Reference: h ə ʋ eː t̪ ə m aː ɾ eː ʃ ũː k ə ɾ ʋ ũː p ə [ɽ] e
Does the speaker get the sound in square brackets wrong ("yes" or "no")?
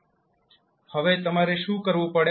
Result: no